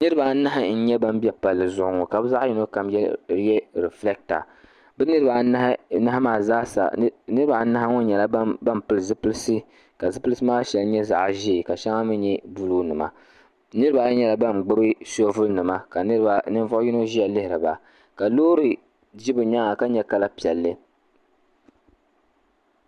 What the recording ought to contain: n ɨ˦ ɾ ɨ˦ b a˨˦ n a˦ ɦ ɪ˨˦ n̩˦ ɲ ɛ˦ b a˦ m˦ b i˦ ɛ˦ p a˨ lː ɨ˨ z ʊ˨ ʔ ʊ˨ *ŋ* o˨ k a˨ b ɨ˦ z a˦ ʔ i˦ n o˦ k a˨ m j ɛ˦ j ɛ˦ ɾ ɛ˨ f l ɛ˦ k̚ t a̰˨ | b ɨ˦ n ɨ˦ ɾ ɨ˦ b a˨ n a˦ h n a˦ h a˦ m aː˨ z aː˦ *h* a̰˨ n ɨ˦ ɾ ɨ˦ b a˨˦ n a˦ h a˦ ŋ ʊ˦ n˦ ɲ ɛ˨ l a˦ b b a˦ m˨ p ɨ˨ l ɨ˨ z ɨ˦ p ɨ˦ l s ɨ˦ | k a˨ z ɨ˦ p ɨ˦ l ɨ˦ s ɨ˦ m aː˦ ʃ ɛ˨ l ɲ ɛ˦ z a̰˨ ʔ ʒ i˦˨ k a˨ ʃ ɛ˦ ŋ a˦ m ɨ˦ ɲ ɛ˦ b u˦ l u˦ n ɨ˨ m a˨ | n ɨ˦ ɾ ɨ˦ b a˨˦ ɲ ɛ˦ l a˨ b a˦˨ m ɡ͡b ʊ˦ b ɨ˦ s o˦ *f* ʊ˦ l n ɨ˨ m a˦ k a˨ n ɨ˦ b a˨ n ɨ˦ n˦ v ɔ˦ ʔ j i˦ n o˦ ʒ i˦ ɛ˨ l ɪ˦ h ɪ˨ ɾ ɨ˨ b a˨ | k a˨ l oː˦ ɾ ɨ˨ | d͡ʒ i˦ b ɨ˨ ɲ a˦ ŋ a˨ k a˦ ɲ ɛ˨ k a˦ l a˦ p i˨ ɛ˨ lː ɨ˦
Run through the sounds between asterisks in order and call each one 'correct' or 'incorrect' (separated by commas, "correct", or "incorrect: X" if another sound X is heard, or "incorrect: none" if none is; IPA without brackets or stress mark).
correct, incorrect: s, incorrect: v